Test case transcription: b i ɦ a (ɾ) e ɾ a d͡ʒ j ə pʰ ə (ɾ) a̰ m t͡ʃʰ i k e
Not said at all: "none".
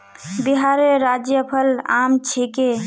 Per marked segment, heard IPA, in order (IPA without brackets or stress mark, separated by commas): ɾ, l